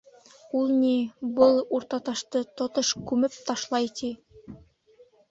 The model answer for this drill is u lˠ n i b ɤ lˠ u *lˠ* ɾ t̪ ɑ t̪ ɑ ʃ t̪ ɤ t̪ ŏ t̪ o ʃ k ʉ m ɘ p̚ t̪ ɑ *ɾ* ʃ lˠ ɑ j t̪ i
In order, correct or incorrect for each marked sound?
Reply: incorrect, incorrect

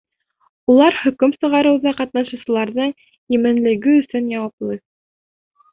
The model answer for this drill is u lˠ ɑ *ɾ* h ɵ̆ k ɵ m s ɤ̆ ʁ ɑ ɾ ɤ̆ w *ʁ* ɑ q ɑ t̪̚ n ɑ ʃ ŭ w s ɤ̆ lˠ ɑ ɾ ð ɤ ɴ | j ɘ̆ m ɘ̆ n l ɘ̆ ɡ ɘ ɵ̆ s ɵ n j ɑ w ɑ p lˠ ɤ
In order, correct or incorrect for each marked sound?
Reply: correct, incorrect

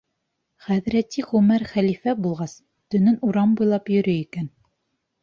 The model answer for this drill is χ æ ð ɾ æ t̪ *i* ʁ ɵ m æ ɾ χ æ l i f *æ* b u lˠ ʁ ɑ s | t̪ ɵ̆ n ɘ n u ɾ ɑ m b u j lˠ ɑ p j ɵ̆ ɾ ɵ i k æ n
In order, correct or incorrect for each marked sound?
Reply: correct, correct

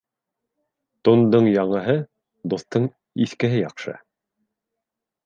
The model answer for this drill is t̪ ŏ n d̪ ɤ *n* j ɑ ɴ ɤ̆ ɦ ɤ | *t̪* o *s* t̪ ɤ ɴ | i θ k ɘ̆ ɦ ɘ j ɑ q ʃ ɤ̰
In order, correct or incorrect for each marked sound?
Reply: incorrect, incorrect, incorrect

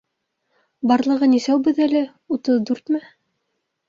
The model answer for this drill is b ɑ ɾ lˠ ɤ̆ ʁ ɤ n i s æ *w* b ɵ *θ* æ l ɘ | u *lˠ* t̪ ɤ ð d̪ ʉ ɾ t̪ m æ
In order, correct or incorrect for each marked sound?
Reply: correct, incorrect, incorrect

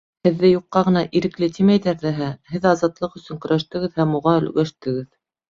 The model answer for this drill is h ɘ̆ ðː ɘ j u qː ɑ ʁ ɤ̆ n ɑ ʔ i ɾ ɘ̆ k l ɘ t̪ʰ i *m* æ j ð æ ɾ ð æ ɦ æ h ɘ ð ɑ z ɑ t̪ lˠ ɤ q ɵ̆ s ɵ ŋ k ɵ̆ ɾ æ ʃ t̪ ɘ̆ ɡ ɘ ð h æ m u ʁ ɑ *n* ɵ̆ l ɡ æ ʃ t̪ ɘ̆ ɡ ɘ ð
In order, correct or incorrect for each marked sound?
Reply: correct, incorrect

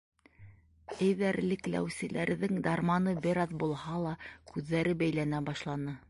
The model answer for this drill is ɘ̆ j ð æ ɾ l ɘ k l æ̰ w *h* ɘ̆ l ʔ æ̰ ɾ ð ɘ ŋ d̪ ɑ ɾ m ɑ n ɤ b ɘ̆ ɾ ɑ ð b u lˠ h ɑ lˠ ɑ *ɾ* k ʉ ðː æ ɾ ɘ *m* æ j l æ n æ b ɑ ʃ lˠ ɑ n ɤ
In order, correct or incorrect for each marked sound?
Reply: incorrect, incorrect, incorrect

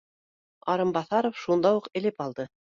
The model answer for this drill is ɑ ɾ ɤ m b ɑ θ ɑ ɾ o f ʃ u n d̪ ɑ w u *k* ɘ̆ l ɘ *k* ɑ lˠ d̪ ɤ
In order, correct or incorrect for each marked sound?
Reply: incorrect, incorrect

